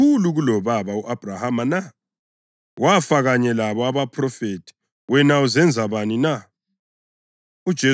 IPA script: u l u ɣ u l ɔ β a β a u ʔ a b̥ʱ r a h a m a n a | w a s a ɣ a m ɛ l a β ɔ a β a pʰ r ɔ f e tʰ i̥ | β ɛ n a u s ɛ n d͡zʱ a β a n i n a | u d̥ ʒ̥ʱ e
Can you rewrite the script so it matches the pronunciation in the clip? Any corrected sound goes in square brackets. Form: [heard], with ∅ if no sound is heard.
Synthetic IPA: u l u ɣ u l ɔ β a β a u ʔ a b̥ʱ r a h a m a n a | w a [f] a ɣ a [ɲ] ɛ l a β ɔ a β a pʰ r ɔ f e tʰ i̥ | [w] ɛ n a u [z] ɛ n d͡zʱ a β a n i n a | u d̥ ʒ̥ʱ e